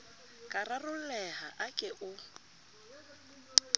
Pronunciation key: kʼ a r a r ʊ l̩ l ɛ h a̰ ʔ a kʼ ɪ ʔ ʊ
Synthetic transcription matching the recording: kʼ a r a r ʊ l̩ l ɛ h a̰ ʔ a kʼ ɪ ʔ ʊ